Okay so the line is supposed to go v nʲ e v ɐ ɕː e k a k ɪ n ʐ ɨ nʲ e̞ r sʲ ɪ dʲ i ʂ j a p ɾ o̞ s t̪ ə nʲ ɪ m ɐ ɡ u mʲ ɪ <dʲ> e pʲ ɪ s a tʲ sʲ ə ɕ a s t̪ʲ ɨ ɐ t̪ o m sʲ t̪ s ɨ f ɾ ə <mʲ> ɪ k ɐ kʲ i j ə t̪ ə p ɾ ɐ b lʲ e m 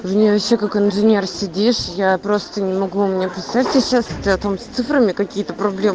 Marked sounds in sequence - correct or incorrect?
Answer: incorrect: nʲ, correct

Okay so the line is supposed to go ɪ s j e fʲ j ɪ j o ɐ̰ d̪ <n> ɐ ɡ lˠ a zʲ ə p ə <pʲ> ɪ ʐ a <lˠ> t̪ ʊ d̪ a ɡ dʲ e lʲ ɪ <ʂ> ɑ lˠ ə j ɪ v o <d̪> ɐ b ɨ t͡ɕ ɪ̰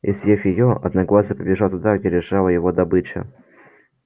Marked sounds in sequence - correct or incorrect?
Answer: correct, incorrect: bʲ, correct, correct, correct

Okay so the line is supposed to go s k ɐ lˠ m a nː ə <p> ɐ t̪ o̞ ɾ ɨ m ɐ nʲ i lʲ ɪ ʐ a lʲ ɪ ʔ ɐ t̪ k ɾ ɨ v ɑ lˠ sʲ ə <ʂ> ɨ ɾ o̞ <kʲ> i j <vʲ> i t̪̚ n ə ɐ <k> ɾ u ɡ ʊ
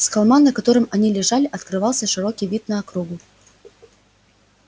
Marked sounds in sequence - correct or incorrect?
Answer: incorrect: k, correct, correct, correct, correct

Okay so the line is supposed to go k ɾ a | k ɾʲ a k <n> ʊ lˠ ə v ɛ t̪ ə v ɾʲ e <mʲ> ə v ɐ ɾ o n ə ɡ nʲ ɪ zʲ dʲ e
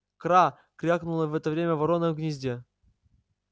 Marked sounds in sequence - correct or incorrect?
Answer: correct, correct

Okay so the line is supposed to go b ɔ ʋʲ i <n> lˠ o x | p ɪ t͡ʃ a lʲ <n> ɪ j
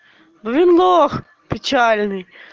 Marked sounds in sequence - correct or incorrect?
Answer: correct, correct

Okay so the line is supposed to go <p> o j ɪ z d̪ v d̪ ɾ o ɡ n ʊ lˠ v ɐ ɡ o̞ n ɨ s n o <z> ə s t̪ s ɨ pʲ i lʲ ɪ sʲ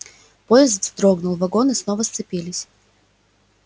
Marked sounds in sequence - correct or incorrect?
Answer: correct, incorrect: v

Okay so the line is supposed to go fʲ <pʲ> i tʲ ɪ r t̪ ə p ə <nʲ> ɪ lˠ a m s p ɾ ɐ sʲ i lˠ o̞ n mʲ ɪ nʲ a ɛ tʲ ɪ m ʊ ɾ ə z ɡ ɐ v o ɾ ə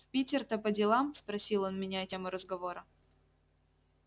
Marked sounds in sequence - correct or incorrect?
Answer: correct, incorrect: dʲ

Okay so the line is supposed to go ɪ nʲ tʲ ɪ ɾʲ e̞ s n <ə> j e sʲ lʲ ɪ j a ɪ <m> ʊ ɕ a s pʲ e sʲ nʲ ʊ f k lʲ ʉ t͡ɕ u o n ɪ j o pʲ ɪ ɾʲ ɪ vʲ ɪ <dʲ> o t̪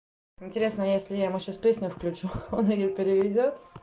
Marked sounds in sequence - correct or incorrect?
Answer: correct, correct, correct

